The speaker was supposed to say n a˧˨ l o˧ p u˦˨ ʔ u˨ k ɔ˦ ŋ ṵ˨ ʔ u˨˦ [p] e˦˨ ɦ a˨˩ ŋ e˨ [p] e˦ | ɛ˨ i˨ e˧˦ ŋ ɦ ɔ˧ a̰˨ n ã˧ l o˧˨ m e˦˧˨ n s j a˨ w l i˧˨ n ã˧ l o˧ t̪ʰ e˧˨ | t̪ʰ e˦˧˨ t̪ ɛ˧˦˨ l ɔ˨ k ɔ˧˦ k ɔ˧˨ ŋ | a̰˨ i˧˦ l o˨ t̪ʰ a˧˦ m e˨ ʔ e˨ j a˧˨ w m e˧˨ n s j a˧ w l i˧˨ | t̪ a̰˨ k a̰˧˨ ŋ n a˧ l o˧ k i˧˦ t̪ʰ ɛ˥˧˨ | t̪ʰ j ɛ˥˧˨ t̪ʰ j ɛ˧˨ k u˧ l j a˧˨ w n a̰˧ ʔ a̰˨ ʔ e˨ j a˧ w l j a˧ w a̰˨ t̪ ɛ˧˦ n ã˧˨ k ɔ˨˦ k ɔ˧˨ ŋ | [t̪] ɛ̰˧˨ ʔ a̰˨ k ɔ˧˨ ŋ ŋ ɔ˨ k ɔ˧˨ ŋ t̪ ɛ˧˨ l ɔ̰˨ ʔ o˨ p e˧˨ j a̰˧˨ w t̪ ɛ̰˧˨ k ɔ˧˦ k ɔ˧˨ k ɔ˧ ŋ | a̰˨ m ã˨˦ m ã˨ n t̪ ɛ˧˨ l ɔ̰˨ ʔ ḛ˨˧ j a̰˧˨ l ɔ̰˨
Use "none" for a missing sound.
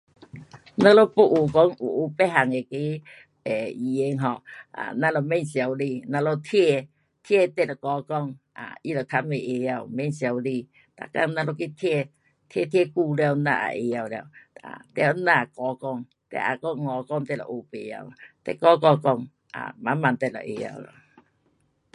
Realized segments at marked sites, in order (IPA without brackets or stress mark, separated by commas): p, k, t̪